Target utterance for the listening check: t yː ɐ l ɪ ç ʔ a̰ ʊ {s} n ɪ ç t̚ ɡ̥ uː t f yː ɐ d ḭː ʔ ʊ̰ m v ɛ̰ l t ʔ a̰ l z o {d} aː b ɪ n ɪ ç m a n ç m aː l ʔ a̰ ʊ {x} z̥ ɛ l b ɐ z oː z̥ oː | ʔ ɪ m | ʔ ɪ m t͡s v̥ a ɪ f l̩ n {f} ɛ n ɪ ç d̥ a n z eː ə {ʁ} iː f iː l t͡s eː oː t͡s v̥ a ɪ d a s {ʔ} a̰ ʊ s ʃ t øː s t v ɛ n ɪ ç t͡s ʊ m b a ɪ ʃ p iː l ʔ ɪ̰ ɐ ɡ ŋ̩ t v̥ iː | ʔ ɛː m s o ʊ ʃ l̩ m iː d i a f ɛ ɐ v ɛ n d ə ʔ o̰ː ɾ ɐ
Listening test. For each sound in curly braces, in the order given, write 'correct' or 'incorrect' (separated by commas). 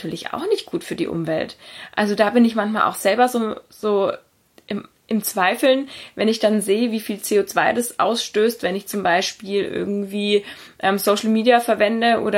incorrect, correct, correct, incorrect, incorrect, correct